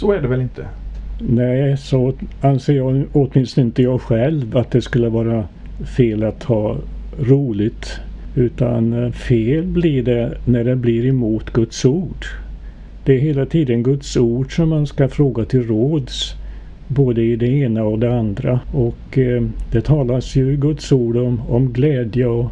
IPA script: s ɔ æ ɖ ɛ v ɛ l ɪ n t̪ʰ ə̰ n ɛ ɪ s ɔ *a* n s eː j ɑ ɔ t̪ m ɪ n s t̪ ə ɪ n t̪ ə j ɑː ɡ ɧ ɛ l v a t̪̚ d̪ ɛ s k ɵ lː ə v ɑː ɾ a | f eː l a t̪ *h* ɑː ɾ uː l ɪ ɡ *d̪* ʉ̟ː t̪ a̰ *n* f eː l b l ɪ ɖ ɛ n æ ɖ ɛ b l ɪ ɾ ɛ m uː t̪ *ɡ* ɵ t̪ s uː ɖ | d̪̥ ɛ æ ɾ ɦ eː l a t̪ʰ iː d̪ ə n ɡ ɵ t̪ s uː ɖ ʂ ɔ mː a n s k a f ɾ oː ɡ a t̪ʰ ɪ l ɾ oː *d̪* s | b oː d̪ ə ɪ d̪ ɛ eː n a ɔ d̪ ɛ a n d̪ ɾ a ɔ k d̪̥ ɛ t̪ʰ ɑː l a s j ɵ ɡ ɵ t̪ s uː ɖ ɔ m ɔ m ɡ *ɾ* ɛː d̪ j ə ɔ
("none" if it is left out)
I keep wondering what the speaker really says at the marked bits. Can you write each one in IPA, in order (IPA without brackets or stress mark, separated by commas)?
a, h, t̪, n, ɡ, d̪, l